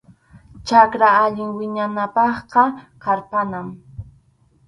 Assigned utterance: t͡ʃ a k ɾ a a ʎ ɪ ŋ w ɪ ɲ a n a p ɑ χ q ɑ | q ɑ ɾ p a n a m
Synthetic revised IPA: t͡ʃ a k ɾ a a ʎ ɪ ŋ w ɪ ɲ a n a p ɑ χ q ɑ | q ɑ ɾ p a n a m